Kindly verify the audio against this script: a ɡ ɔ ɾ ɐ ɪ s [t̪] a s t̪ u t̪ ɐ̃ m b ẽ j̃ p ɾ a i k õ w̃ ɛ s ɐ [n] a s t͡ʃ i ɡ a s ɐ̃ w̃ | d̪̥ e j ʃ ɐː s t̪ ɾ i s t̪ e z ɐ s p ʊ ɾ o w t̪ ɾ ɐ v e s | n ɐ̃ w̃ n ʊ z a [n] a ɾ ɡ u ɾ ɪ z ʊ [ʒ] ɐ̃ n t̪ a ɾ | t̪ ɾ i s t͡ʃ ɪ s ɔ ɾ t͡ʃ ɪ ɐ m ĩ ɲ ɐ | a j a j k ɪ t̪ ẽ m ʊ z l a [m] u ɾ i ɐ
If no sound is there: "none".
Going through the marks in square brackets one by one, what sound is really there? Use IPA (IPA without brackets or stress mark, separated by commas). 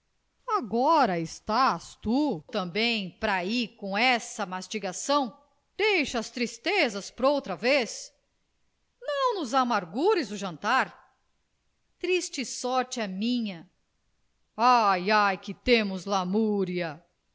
t̪, m, m, ʒ, m